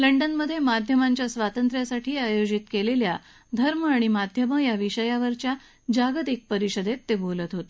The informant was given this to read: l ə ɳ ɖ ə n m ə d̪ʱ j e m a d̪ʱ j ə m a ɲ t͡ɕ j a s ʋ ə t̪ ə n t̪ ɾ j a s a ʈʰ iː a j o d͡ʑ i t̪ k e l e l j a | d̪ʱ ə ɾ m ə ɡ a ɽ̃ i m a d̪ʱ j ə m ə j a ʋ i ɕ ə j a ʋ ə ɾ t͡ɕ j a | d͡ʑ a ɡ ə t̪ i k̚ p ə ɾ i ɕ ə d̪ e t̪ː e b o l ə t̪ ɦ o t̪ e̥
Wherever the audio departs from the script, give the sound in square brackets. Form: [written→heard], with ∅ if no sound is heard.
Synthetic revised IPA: l ə ɳ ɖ ə n m ə d̪ʱ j e m a d̪ʱ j ə m a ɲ t͡ɕ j a s ʋ [ə→a] t̪ ə n t̪ ɾ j a s a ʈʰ iː a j o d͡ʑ i t̪ k e l e l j a | d̪ʱ ə ɾ m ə [ɡ→∅] a ɽ̃ i m a d̪ʱ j ə m ə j a ʋ i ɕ ə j a ʋ ə ɾ t͡ɕ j a | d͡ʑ a ɡ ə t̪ i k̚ p ə ɾ i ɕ ə d̪ e t̪ː e b o l ə t̪ ɦ o t̪ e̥